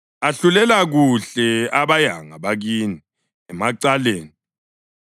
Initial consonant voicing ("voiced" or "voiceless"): voiceless